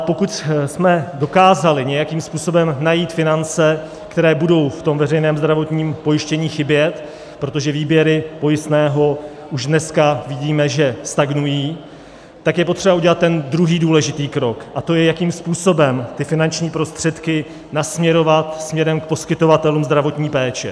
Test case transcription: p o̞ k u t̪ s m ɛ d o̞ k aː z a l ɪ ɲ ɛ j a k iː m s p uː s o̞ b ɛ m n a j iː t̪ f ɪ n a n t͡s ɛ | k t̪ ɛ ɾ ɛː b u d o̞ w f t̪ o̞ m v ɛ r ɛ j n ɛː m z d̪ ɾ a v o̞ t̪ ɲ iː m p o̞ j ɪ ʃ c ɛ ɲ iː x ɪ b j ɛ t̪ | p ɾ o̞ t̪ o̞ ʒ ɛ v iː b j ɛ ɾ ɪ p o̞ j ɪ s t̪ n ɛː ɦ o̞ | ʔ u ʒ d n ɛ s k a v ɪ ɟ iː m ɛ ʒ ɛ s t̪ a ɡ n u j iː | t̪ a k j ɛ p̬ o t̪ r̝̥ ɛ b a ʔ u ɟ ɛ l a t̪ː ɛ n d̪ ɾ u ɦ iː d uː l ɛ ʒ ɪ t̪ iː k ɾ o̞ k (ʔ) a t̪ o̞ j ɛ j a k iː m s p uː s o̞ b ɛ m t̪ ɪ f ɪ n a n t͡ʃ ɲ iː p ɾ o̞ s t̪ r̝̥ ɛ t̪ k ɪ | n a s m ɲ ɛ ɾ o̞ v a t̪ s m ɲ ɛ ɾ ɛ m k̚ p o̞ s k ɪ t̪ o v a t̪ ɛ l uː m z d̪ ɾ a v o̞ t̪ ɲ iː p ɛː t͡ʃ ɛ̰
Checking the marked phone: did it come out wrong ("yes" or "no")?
no